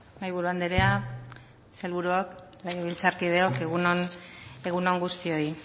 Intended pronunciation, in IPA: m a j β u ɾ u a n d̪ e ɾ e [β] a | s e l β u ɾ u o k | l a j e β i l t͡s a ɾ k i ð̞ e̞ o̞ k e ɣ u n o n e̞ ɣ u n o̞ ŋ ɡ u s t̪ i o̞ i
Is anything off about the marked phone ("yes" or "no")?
yes